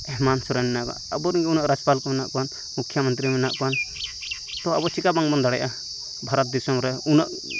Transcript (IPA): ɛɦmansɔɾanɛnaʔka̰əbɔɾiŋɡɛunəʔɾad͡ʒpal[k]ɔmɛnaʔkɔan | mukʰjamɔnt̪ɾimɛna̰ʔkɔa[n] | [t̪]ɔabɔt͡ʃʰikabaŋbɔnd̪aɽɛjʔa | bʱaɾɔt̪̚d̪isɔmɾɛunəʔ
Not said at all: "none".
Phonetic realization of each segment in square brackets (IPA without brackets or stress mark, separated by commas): k, n, t̪